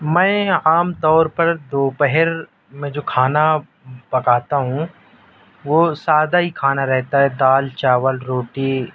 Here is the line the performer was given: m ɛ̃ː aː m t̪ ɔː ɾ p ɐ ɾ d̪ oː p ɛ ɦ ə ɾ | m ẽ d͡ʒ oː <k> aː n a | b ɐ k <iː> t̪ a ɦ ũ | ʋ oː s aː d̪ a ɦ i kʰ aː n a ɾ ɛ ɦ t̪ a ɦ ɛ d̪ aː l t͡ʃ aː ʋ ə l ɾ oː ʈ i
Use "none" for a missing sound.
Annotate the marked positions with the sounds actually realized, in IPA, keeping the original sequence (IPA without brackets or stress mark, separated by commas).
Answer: kʰ, aː